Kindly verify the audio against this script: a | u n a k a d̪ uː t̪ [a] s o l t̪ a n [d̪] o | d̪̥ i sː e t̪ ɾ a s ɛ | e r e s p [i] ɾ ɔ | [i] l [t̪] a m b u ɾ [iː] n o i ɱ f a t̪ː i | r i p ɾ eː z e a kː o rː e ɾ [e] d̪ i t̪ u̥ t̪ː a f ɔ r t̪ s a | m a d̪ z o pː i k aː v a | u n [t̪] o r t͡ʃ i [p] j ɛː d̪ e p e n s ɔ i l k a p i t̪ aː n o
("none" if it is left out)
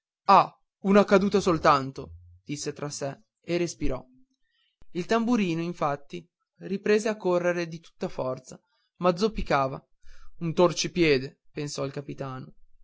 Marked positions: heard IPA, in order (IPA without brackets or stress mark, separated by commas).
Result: a, t̪, i, i, t̪, iː, e, t̪, p